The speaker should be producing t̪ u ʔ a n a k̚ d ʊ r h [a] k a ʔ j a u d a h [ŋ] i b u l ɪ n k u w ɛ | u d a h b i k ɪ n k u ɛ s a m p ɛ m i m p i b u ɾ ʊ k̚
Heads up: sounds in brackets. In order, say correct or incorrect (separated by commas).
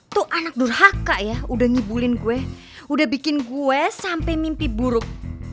correct, correct